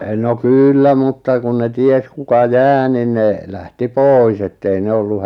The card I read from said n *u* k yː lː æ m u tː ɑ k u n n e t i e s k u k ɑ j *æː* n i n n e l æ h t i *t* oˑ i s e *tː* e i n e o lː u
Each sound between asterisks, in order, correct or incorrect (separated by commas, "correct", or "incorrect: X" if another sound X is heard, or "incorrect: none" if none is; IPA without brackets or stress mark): incorrect: o, correct, incorrect: p, correct